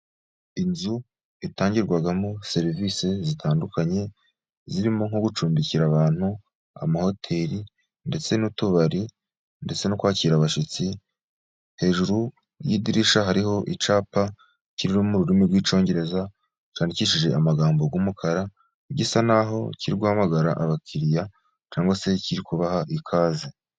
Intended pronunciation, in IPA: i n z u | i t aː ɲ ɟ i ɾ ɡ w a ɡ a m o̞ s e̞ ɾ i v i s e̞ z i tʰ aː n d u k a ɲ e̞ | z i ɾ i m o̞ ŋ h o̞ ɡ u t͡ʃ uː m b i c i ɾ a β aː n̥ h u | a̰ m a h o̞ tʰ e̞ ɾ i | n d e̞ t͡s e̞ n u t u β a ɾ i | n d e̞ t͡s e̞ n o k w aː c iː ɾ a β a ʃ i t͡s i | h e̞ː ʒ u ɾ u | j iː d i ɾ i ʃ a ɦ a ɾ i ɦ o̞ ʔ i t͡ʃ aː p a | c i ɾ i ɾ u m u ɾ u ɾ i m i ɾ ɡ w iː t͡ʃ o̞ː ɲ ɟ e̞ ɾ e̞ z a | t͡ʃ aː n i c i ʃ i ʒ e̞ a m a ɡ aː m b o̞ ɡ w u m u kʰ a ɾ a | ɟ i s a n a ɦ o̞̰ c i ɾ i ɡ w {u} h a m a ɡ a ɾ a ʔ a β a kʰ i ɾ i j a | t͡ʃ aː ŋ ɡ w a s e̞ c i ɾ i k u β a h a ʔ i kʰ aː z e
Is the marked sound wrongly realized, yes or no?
no